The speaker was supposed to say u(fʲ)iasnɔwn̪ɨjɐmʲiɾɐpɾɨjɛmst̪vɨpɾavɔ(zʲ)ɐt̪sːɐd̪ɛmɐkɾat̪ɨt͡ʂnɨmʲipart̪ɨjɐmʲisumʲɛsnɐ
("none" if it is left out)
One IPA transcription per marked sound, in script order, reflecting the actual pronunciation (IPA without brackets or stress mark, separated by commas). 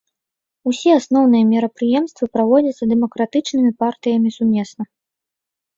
sʲ, d͡zʲ